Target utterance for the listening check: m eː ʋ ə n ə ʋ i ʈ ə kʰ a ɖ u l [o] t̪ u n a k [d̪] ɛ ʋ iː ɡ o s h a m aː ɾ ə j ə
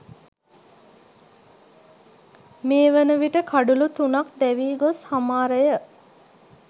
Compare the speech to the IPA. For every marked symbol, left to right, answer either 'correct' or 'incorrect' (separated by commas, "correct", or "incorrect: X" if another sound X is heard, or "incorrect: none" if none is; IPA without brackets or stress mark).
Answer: incorrect: u, correct